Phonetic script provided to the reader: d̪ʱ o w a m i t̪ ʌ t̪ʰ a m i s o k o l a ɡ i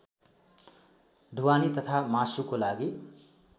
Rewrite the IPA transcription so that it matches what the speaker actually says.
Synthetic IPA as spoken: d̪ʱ u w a n i t̪ ʌ t̪ʰ a m a s u k o l a ɡ i